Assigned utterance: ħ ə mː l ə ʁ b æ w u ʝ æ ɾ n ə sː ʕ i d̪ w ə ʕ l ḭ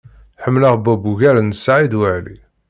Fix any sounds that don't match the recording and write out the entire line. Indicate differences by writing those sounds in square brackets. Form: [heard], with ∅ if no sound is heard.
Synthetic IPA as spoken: ħ ə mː l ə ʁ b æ [b] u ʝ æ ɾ n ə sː ʕ i d̪ w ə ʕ l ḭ